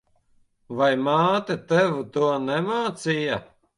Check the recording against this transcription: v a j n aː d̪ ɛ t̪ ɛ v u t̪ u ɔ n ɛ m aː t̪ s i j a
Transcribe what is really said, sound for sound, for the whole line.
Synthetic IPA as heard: v a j m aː t̪ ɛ t̪ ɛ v u t̪ u ɔ n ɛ m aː t̪ s i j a